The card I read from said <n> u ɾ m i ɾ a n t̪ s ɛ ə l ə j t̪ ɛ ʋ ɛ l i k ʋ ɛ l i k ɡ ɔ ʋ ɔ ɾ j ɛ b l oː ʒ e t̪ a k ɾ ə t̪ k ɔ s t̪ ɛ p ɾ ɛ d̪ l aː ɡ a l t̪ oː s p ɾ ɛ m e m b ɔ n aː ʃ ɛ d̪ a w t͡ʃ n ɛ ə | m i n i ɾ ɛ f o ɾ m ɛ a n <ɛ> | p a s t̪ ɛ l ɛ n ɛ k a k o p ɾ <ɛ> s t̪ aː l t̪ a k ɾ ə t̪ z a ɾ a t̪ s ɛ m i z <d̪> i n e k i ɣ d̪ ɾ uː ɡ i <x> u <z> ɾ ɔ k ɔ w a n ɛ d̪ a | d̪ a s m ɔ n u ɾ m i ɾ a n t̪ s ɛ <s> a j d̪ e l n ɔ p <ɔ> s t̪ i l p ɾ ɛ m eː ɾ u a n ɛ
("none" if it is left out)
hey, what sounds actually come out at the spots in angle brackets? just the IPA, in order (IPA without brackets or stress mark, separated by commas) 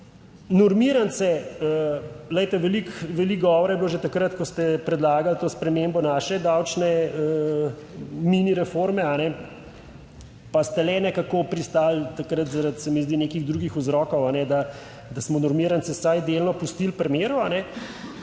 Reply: n, ɛ, i, d̪, x, z, s, u